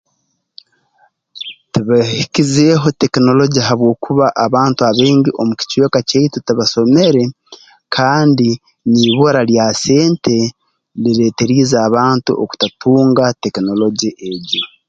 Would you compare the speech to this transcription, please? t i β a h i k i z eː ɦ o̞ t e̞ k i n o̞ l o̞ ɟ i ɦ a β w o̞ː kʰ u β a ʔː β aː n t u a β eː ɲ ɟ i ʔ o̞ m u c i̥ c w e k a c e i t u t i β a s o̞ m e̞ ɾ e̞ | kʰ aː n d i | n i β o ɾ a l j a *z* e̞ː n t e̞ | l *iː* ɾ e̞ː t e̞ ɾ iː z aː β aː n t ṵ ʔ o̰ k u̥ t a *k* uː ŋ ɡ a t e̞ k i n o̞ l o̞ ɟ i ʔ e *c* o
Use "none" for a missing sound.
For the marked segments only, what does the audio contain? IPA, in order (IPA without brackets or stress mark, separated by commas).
s, i, t, ɟ